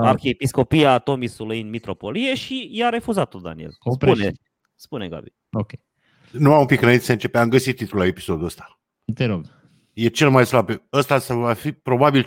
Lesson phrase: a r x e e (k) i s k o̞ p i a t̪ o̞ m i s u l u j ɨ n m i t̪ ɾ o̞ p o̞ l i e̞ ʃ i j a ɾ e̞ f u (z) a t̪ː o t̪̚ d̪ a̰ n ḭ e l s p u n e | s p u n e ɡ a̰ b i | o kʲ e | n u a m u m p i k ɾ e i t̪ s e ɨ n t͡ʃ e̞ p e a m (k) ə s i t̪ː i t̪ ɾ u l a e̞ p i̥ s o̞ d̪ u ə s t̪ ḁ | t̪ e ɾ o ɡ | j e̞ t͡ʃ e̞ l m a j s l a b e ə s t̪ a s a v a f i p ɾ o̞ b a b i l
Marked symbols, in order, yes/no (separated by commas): no, yes, no